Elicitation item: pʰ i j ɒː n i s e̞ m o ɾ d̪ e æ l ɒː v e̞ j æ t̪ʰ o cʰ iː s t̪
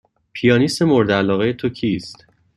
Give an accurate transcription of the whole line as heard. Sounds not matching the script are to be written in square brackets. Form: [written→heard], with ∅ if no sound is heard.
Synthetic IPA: pʰ i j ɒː n i s e̞ m o ɾ d̪ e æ l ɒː [v→ɣ] e̞ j [æ→e] t̪ʰ o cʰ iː s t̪

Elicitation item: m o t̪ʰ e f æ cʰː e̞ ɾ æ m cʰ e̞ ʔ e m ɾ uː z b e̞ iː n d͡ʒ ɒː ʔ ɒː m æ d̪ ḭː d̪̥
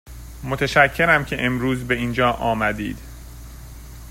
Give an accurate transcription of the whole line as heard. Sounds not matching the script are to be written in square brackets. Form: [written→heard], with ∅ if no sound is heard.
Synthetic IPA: m o t̪ʰ e [f→ʃ] æ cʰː e̞ ɾ æ m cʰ e̞ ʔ e m ɾ uː z b e̞ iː n d͡ʒ ɒː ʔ ɒː m æ d̪ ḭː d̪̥

